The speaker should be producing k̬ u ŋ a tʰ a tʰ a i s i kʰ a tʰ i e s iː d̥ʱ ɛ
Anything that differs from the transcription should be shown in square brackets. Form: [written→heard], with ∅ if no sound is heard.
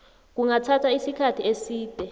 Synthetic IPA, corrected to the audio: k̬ u ŋ a tʰ a tʰ a i s i kʰ a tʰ i e s iː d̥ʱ ɛ